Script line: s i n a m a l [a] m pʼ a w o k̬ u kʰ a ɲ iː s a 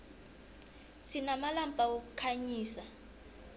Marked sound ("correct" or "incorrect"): correct